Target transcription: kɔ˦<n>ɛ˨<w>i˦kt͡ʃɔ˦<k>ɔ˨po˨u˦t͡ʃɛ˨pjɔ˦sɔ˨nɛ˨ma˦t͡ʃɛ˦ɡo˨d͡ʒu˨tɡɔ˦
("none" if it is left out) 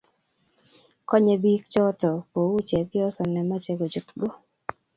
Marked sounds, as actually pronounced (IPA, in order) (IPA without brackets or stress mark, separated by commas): ɲ, b, t